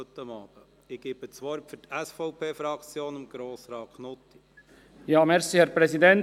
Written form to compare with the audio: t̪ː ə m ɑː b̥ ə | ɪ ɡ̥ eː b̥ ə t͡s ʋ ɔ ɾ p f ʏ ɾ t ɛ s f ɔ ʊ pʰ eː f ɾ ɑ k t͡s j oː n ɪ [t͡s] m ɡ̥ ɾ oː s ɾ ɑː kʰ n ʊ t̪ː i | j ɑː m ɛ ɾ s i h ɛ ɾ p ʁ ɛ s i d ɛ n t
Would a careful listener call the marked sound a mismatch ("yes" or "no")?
yes